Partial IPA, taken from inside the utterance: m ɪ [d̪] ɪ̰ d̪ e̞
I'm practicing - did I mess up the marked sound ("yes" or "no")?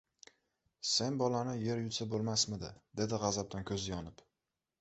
no